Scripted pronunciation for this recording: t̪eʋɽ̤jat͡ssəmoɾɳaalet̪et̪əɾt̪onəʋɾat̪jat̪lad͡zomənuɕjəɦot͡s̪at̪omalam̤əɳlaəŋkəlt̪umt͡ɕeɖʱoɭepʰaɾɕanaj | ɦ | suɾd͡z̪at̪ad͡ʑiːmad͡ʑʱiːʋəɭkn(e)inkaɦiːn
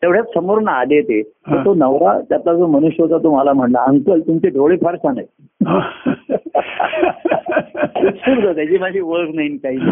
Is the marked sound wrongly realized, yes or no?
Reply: yes